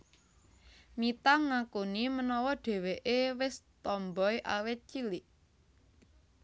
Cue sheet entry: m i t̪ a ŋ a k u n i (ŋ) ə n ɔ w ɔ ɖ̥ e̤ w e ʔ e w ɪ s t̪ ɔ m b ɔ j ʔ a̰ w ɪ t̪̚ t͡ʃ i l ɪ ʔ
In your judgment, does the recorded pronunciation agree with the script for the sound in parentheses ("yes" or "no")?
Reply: no